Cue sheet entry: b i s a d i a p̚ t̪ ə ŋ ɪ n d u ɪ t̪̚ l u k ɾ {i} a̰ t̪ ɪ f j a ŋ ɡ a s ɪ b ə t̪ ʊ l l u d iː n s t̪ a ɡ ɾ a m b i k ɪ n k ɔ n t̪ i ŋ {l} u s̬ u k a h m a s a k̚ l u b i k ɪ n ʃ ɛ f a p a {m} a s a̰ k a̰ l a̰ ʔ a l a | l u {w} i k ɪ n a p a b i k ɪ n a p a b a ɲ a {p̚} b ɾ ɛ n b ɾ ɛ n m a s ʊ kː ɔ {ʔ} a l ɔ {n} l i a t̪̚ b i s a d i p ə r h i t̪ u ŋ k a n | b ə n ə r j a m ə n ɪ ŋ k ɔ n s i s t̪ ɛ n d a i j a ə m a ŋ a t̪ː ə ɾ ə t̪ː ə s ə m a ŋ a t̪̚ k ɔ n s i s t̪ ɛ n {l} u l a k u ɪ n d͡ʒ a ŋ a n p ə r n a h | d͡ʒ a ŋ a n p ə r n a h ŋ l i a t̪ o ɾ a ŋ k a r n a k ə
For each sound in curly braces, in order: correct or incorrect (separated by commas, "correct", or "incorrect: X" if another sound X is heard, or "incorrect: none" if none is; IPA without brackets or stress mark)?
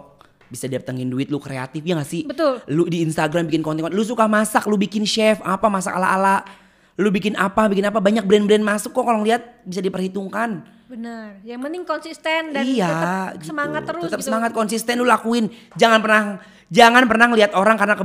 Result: incorrect: e, correct, correct, incorrect: b, incorrect: k̚, incorrect: k, incorrect: ŋ, correct